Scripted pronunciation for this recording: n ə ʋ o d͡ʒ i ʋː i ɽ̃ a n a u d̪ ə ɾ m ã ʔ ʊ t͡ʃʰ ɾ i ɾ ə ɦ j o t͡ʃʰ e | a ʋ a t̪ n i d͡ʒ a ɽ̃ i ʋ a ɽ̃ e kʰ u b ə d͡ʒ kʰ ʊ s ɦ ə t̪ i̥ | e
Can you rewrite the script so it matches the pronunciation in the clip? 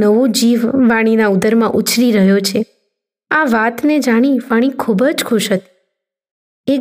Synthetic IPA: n ə ʋ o d͡ʒ i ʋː a ɽ̃ i n a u d̪ ə ɾ m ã ʔ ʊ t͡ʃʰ ɾ i ɾ ə ɦ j o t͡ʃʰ e | a ʋ a t̪ n e d͡ʒ a ɽ̃ i ʋ a ɽ̃ i kʰ u b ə d͡ʒ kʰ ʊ ʃ ɦ ə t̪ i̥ | e